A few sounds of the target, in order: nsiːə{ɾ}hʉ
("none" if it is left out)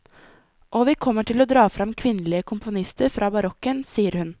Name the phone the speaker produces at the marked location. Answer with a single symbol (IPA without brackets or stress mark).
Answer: ɾ